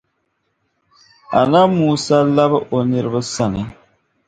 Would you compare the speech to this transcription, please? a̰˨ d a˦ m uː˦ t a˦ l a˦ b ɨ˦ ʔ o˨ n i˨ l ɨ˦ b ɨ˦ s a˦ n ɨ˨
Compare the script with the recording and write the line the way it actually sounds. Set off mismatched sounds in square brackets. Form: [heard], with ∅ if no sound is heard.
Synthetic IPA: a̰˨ [n] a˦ m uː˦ [s] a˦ l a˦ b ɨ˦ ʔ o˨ n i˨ [ɾ] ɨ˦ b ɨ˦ s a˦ n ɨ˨